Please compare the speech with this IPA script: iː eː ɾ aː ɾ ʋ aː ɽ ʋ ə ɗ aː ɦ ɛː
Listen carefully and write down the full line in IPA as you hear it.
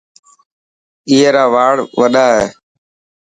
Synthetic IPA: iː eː ɾ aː ʋ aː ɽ ʋ ə ɗ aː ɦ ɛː